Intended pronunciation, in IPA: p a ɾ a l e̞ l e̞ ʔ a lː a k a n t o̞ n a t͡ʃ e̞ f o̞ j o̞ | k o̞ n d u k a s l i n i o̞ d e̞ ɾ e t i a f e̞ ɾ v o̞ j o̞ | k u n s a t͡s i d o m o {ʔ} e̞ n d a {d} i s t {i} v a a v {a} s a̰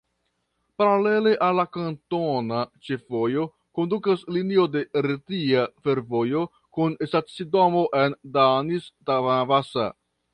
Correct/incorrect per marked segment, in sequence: correct, incorrect: n, incorrect: a, correct

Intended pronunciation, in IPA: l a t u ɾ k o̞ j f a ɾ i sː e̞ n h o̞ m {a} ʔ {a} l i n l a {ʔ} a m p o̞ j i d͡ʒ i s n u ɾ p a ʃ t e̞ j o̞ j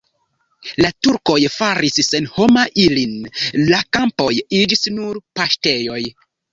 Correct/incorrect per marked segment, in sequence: correct, incorrect: i, incorrect: k

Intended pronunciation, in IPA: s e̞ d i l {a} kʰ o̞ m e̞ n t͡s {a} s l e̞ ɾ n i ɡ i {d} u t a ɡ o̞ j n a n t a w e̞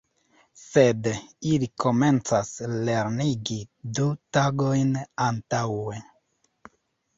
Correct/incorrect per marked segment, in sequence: incorrect: i, correct, correct

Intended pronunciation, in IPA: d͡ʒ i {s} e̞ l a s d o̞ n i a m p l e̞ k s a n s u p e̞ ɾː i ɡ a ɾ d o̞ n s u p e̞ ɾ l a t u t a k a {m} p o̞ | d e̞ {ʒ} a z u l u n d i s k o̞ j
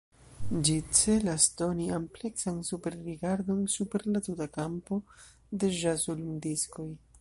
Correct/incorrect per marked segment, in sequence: incorrect: t͡s, correct, correct

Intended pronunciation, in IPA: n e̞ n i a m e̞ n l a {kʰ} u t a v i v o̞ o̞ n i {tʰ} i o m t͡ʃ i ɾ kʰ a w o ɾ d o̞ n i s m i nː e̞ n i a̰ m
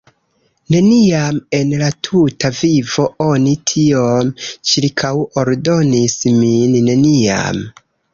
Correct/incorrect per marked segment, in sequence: incorrect: tʰ, correct

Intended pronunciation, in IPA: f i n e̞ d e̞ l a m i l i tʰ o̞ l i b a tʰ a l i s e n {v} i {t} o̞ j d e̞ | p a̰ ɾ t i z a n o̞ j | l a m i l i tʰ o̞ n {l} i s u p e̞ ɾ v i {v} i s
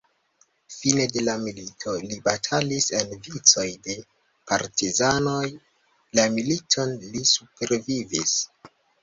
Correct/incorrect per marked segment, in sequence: correct, incorrect: t͡s, correct, correct

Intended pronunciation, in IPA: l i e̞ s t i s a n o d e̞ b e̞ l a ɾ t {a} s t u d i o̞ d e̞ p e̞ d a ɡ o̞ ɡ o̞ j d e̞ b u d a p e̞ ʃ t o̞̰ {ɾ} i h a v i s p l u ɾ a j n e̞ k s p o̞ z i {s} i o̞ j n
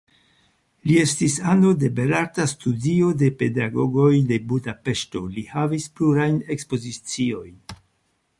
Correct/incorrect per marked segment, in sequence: correct, incorrect: l, incorrect: t͡s

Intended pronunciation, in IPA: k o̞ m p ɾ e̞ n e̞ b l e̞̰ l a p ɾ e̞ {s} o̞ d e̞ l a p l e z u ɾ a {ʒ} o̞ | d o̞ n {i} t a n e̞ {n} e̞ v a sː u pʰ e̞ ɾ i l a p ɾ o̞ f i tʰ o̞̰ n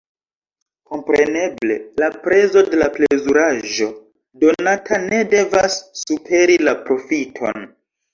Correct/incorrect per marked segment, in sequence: incorrect: z, correct, incorrect: a, incorrect: d

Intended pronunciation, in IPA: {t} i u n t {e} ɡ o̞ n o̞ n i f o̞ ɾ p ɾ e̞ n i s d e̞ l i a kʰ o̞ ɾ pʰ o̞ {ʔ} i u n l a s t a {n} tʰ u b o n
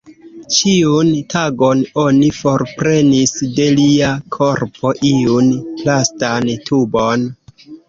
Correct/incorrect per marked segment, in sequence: incorrect: t͡ʃ, incorrect: a, correct, correct

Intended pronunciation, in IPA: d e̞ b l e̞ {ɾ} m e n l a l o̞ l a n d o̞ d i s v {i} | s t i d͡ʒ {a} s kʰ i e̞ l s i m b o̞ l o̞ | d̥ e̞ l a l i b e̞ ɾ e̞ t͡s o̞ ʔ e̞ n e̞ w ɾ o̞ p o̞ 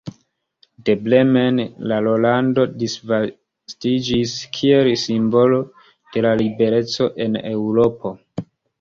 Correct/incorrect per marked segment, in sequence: incorrect: none, incorrect: a, incorrect: i

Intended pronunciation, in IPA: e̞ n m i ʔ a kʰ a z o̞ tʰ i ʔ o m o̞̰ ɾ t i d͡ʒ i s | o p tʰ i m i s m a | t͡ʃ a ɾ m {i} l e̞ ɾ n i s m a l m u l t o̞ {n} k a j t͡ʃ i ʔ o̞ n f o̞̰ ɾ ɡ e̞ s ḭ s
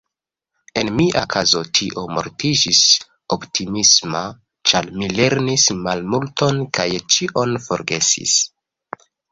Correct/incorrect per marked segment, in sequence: correct, correct

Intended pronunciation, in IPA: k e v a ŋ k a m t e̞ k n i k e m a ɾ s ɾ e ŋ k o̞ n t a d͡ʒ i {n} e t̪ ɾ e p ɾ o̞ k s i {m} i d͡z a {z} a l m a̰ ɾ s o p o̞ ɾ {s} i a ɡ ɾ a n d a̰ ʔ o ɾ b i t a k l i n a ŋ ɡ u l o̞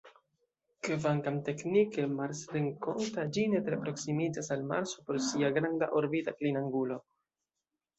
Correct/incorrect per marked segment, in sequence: correct, correct, incorrect: s, correct

